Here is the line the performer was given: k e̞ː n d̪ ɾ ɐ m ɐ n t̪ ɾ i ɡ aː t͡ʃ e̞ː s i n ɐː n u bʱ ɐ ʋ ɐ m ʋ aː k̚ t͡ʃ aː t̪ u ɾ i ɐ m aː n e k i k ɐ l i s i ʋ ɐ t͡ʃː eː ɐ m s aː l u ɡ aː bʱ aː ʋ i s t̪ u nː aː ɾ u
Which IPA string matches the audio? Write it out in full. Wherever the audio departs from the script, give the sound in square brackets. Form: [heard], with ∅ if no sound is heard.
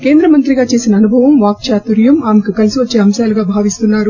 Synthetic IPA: k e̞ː n d̪ ɾ ɐ m ɐ n t̪ ɾ i ɡ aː t͡ʃ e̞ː s i n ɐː n u bʱ ɐ ʋ ɐ m ʋ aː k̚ t͡ʃ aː t̪ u ɾ [j] ɐ m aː [m] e k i k ɐ l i s i ʋ ɐ t͡ʃː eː ɐ m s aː l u ɡ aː bʱ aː ʋ i s t̪ u nː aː ɾ u